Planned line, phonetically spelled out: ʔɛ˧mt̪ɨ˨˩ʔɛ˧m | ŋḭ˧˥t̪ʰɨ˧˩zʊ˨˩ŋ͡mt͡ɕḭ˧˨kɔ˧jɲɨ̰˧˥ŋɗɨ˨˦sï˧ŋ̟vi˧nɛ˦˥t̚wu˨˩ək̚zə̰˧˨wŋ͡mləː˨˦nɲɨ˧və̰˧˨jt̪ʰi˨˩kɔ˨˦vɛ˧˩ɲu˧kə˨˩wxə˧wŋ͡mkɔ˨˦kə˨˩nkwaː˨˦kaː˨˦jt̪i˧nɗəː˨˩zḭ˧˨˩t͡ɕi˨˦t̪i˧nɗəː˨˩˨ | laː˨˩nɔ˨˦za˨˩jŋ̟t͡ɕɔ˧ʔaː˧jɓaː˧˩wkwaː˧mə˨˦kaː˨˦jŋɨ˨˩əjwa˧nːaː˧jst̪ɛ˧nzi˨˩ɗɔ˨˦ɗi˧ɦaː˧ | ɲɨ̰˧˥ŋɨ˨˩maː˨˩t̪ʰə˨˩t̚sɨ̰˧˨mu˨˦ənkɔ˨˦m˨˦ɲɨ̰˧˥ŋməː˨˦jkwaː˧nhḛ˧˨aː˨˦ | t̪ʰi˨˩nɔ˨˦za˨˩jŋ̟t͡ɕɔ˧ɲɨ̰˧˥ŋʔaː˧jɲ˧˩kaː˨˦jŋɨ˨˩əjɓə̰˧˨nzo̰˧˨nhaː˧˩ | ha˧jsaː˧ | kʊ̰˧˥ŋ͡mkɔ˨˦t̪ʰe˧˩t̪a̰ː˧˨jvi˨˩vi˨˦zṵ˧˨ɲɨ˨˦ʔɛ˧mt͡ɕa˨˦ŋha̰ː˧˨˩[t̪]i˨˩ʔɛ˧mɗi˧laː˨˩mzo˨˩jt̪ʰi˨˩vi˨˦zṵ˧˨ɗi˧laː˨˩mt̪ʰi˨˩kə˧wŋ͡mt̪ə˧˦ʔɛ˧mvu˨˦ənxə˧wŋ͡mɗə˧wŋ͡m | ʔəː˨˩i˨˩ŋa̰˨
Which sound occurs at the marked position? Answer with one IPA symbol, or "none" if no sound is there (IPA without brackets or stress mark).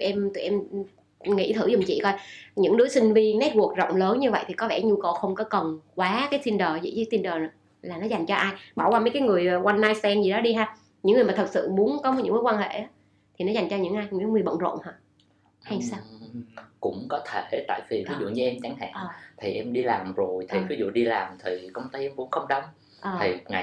t̪ʰ